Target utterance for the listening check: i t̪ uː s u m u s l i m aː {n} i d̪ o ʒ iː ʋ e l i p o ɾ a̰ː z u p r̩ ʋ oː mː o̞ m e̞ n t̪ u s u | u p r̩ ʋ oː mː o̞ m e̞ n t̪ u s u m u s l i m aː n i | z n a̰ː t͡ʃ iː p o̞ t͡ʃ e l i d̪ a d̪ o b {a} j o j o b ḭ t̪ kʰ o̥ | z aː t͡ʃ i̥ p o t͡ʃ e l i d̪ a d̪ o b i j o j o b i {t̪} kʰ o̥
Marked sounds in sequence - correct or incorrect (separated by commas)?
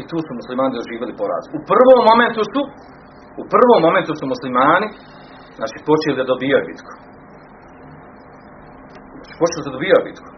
correct, incorrect, correct